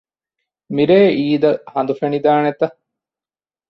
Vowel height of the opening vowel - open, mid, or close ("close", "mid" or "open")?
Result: close